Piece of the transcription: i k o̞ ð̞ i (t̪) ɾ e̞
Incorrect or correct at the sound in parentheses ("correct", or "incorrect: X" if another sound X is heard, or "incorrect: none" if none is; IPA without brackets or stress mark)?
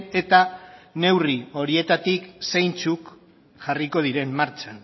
incorrect: none